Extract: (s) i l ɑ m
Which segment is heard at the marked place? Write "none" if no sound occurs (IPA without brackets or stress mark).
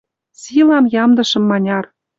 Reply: s